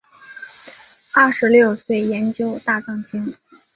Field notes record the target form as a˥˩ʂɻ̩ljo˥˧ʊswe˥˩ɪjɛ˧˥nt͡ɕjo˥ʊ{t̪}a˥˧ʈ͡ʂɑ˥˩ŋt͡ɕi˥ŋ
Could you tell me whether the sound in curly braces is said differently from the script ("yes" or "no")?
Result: no